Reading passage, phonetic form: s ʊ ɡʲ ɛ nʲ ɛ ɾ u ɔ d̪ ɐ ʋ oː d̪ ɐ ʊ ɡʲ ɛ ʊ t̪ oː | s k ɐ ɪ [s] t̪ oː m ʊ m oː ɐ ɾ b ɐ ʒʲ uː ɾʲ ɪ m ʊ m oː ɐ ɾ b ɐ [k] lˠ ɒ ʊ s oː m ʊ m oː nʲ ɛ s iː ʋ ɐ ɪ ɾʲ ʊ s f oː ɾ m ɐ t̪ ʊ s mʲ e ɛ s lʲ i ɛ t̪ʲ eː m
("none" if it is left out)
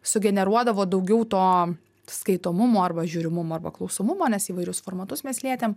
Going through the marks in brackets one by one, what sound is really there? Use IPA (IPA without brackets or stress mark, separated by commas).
none, k